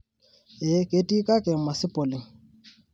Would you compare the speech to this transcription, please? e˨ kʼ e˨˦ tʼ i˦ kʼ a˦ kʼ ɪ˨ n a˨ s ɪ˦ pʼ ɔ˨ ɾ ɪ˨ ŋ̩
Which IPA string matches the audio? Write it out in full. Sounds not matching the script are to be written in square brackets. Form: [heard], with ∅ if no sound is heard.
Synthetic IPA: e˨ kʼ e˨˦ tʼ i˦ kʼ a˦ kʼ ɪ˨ [m] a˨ s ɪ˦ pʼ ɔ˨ [l] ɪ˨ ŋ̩